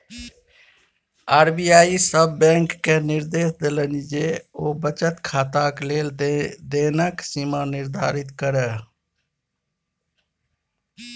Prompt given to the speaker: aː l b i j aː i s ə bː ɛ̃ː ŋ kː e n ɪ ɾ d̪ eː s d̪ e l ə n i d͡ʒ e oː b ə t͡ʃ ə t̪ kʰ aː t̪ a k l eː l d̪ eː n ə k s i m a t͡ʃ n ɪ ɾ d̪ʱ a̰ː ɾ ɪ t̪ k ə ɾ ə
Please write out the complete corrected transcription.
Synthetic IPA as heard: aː ɾ b i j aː i s ə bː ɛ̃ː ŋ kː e n ɪ ɾ d̪ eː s d̪ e l ə n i d͡ʒ e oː b ə t͡ʃ ə t̪ kʰ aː t̪ a k l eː l d̪ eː n ə k s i m a n ɪ ɾ d̪ʱ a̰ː ɾ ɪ t̪ k ə ɾ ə